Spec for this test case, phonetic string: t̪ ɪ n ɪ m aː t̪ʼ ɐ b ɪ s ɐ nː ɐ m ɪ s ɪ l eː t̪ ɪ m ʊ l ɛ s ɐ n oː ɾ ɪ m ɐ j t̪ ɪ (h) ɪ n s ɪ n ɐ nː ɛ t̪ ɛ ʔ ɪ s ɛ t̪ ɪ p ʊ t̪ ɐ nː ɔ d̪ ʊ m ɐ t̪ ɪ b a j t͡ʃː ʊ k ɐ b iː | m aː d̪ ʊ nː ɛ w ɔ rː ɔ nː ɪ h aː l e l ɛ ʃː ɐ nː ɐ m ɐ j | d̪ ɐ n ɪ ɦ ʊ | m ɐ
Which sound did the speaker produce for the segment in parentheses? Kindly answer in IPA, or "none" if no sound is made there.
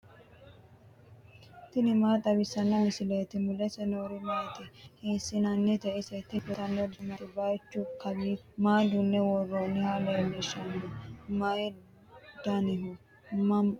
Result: h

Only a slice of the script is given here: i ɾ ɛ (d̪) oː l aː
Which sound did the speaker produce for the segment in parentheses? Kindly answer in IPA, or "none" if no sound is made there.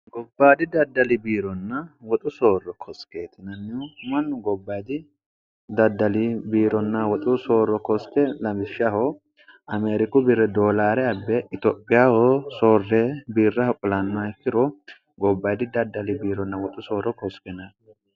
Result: d̪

